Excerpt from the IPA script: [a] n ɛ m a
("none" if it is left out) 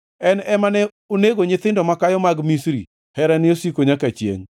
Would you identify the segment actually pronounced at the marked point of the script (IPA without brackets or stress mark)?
ɛ